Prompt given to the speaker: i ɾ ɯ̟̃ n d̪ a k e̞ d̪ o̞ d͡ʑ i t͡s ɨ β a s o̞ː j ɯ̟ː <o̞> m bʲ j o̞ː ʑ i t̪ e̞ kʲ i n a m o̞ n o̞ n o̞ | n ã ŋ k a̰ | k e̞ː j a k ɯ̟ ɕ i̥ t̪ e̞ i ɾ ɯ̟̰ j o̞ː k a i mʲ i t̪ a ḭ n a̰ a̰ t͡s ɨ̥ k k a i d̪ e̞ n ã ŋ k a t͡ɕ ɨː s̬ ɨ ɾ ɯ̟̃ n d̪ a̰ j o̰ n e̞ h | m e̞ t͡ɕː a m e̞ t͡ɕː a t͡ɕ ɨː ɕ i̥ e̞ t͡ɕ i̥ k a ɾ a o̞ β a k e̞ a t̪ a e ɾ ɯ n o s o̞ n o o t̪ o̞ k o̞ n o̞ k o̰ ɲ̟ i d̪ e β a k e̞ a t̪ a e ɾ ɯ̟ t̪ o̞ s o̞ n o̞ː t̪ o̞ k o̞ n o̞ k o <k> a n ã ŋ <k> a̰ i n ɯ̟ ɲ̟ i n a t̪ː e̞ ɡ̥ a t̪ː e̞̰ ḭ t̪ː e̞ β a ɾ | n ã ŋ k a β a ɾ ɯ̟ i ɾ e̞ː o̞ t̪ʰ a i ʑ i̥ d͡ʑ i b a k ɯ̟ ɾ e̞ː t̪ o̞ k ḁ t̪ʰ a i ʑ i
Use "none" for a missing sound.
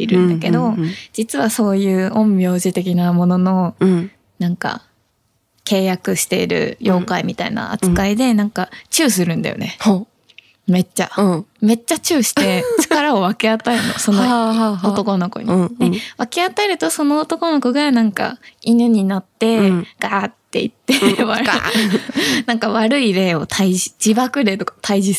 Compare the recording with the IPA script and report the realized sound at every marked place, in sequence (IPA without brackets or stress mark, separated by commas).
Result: õ̞, ɡ, k